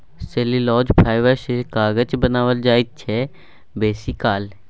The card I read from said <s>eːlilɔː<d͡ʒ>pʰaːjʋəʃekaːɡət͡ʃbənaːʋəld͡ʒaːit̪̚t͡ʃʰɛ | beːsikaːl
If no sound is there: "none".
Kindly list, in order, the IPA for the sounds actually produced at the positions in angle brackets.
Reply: s, d͡ʒ

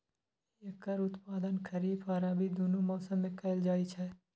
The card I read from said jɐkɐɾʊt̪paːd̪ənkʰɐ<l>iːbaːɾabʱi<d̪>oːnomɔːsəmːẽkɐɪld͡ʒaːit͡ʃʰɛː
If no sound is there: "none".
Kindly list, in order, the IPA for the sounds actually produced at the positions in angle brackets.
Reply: ɾ, d̪

